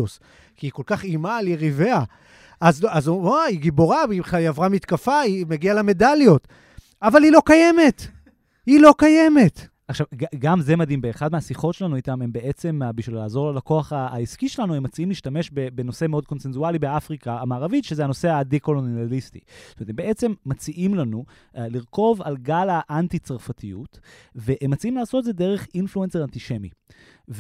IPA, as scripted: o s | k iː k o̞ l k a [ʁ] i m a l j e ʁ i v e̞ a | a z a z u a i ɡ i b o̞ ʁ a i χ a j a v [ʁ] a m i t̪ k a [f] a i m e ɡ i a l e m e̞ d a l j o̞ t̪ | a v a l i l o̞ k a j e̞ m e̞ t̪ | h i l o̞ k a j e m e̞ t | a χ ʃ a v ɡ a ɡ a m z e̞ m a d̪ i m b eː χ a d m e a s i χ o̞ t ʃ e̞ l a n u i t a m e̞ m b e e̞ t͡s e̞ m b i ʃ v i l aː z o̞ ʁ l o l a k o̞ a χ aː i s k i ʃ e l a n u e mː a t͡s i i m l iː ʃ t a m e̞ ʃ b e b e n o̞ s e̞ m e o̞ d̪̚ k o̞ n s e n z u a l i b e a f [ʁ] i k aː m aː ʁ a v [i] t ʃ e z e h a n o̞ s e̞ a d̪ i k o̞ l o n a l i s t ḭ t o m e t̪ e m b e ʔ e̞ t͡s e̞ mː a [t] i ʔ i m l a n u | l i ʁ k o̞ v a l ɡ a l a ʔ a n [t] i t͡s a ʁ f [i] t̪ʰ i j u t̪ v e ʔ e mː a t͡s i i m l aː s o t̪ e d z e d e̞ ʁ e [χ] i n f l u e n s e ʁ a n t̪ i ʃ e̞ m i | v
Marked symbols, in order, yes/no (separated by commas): no, yes, yes, yes, yes, no, yes, no, yes